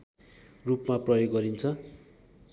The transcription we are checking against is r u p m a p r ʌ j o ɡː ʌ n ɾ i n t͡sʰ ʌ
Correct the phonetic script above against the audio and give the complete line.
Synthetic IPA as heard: r u p m a p r ʌ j o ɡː ʌ ɾ i n t͡sʰ ʌ